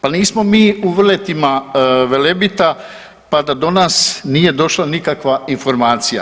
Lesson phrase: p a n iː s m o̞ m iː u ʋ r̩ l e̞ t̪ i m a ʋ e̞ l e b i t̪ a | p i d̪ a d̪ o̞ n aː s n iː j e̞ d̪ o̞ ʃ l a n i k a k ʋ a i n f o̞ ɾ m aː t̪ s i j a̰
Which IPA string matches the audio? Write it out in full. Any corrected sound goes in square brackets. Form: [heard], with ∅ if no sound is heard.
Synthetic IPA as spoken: p a n iː s m o̞ m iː u ʋ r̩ l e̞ t̪ i m a ʋ e̞ l e b i t̪ a | p [a] d̪ a d̪ o̞ n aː s n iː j e̞ d̪ o̞ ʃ l a n i k a k ʋ a i n f o̞ ɾ m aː t̪ s i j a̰